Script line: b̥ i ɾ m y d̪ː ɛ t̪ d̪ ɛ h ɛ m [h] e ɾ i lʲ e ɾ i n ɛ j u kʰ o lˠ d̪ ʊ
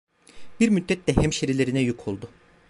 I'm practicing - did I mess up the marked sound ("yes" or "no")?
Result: yes